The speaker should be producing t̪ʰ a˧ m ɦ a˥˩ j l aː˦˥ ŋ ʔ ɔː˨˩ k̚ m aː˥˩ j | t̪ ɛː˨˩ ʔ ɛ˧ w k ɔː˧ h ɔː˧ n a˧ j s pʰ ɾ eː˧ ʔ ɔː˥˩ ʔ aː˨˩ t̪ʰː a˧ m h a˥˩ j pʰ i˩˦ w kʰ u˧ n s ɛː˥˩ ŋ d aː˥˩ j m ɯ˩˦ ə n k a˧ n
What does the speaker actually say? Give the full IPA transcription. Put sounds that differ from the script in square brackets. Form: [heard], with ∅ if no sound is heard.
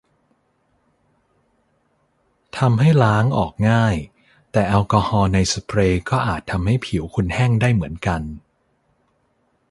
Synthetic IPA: t̪ʰ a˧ m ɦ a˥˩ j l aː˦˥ ŋ ʔ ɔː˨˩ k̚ [ŋ] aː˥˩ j | t̪ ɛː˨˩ ʔ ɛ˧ w k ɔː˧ h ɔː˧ n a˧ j s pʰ ɾ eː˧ [k] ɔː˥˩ ʔ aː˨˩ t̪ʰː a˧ m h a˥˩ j pʰ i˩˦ w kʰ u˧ n [h] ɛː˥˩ ŋ d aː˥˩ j m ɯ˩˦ ə n k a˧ n

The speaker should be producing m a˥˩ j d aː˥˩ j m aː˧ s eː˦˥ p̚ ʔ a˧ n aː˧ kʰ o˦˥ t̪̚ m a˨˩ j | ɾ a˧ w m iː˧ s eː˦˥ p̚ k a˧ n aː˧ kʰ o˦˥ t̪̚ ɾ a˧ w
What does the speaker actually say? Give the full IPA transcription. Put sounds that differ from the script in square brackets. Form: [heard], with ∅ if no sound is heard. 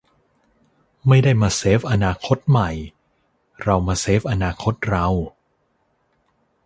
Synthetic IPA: m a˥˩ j d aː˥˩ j m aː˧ s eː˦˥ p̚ ʔ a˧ n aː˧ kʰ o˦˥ t̪̚ m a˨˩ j | ɾ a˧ w m [aː˧] s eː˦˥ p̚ [ʔ] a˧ n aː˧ kʰ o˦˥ t̪̚ ɾ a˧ w

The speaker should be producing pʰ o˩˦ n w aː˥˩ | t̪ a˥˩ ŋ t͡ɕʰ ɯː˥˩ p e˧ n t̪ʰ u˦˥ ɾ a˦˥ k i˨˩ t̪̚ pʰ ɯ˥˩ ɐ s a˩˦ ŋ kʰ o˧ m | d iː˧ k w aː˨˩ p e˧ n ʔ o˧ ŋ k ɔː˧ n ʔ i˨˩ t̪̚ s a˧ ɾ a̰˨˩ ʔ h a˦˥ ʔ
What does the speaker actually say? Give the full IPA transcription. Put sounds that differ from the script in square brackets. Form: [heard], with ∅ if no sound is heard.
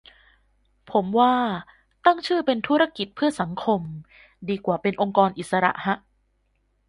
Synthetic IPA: pʰ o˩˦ [m] w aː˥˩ | t̪ a˥˩ ŋ t͡ɕʰ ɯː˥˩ p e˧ n t̪ʰ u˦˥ ɾ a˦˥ k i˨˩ t̪̚ pʰ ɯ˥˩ ɐ s a˩˦ ŋ kʰ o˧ m | d iː˧ k w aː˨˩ p e˧ n ʔ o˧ ŋ k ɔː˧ n ʔ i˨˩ t̪̚ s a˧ ɾ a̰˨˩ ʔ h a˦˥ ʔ

